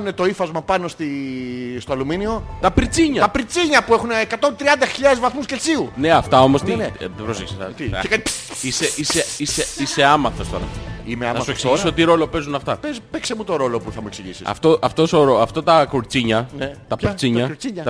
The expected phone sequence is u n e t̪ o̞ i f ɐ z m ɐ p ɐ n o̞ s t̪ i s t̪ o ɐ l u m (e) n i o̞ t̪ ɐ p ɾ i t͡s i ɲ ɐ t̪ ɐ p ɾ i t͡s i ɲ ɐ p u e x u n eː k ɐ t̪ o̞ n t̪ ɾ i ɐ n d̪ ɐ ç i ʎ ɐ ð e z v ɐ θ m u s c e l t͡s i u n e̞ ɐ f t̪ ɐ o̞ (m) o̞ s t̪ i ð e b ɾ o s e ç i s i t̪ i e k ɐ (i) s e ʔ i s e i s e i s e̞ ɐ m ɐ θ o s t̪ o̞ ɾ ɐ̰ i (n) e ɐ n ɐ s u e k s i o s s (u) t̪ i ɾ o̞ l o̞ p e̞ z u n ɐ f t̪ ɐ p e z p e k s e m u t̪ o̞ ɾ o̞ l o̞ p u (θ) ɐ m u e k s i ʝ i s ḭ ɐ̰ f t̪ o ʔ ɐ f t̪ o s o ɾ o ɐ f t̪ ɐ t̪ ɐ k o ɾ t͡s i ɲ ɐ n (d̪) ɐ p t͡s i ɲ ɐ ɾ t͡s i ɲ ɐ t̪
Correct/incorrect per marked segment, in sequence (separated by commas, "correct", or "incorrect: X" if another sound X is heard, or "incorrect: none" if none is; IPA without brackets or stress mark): incorrect: i, correct, correct, incorrect: m, incorrect: o, correct, incorrect: t̪